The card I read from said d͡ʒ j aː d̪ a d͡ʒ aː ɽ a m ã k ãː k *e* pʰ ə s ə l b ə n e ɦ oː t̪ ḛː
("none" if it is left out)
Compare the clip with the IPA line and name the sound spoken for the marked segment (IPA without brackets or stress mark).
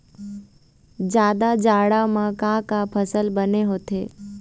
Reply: a